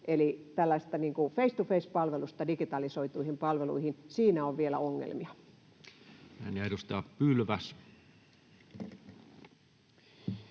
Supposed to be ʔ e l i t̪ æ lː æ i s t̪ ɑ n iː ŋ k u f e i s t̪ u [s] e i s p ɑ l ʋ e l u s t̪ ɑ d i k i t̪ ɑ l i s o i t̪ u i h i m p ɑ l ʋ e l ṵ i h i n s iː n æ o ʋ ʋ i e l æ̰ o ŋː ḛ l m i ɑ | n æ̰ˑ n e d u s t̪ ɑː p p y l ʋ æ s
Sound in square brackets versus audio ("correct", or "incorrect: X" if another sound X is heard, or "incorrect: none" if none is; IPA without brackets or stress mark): incorrect: f